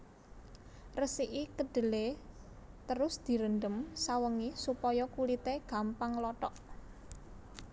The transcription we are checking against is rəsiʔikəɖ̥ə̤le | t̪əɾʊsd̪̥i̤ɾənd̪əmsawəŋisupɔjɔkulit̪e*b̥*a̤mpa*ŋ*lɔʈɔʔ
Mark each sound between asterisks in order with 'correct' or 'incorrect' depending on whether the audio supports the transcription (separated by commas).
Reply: incorrect, correct